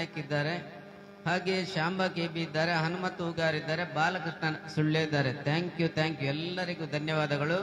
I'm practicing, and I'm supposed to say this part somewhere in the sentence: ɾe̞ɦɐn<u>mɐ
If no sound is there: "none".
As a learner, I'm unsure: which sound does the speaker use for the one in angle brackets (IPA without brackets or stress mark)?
u